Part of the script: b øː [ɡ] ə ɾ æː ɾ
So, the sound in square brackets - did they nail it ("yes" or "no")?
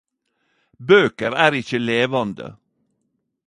no